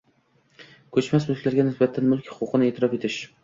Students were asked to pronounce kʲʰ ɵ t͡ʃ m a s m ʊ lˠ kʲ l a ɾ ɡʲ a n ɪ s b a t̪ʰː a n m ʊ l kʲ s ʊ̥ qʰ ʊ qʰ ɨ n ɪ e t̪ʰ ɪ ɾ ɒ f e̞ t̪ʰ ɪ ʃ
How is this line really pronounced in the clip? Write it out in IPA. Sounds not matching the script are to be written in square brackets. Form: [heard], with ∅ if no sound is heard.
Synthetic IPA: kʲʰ ɵ t͡ʃ m a s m ʊ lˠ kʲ l a ɾ ɡʲ a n ɪ s b a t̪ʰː a n m ʊ l kʲ [h] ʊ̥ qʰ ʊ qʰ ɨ n ɪ e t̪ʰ ɪ ɾ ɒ f e̞ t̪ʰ ɪ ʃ